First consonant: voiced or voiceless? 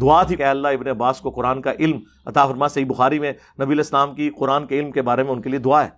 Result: voiced